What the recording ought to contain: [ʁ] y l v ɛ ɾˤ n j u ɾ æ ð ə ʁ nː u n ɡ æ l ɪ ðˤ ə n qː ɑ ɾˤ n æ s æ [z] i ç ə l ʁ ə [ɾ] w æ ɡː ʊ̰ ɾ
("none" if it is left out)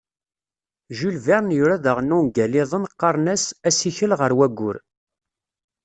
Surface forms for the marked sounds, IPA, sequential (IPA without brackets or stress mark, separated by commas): ʒ, s, ɾ